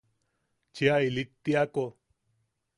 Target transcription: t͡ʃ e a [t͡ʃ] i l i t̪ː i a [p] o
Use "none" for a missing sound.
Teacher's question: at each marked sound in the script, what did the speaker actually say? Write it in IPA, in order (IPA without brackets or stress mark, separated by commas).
none, k